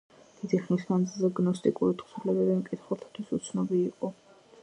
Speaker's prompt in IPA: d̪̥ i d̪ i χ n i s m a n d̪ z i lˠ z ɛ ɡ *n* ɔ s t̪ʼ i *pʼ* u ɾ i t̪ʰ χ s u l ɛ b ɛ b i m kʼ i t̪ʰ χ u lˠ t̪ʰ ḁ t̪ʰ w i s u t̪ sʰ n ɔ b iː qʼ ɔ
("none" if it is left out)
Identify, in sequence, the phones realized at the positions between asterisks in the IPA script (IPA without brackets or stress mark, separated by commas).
n, kʼ